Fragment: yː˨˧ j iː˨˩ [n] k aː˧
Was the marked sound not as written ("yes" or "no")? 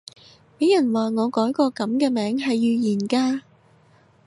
no